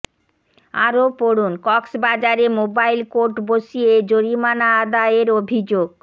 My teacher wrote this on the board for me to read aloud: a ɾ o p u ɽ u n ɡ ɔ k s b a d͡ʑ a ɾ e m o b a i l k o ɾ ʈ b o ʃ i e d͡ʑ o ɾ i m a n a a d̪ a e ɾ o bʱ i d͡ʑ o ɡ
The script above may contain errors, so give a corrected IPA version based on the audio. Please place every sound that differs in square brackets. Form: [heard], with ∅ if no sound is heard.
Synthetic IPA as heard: a ɾ o p [o] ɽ u n [k] ɔ k s b a d͡ʑ a ɾ e m o b a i l k o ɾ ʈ b o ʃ i e d͡ʑ o ɾ i m a n a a d̪ a e ɾ o bʱ i d͡ʑ o ɡ